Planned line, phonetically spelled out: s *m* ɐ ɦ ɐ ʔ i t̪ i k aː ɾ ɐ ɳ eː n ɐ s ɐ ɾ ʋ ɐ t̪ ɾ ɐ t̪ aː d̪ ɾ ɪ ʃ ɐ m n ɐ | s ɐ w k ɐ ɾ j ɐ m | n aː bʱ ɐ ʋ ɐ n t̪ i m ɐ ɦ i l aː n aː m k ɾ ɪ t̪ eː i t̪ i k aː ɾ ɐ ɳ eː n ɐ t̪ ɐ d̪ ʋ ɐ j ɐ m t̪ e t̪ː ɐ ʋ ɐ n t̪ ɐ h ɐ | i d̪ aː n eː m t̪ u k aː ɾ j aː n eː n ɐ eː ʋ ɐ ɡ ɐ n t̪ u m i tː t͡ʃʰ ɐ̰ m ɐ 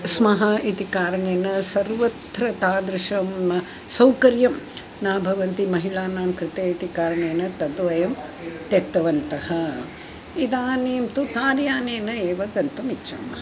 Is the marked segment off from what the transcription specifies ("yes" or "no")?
no